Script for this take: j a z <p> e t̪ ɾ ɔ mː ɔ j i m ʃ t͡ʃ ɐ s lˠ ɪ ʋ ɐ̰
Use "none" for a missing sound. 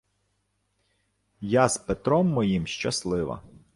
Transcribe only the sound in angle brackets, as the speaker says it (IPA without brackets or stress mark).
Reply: p